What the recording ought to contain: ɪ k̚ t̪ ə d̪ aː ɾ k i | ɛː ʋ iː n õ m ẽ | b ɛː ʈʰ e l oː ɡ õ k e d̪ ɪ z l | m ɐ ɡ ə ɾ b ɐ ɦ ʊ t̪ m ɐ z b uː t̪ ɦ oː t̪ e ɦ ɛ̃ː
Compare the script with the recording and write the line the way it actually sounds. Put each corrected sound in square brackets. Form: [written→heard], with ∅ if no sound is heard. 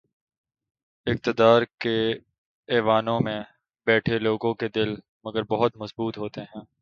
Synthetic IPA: ɪ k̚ t̪ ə d̪ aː ɾ k [i→e] | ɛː ʋ [iː→aː] n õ m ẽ | b ɛː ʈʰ e l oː ɡ õ k e d̪ ɪ [z→∅] l | m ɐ ɡ ə ɾ b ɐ ɦ ʊ t̪ m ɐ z b uː t̪ ɦ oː t̪ e ɦ ɛ̃ː